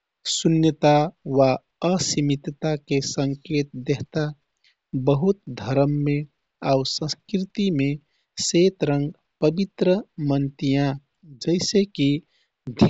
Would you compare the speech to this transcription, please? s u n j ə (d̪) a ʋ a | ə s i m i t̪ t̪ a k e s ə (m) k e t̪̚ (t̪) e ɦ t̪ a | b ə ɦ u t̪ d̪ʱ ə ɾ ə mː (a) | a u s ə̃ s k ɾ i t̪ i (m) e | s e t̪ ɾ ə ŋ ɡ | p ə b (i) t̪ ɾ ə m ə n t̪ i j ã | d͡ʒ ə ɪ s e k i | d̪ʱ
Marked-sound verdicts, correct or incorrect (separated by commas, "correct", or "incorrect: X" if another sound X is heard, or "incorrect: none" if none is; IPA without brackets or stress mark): incorrect: t̪, incorrect: ŋ, incorrect: d̪, incorrect: e, correct, correct